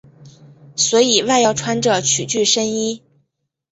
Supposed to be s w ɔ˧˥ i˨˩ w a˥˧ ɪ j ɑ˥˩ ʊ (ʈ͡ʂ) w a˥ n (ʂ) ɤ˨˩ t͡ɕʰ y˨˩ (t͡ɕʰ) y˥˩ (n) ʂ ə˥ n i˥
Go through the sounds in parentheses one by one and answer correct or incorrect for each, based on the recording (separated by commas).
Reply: incorrect, incorrect, incorrect, incorrect